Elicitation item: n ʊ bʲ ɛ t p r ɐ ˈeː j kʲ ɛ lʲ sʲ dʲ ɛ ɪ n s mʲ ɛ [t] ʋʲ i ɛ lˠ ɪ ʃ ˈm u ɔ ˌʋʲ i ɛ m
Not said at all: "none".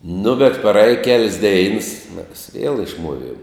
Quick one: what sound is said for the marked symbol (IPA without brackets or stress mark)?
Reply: s